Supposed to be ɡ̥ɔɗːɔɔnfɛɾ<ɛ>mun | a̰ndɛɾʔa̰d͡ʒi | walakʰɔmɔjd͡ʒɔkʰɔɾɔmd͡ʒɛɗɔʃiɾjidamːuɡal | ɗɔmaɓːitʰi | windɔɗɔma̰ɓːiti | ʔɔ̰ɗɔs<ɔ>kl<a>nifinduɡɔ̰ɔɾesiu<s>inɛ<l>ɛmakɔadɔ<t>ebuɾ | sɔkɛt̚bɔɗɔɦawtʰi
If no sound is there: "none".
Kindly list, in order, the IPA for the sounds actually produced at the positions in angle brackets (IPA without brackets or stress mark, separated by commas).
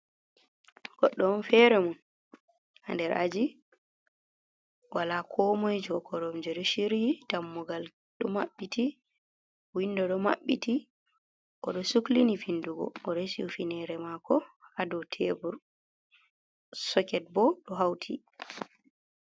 ɛ, u, i, f, ɾ, tʰ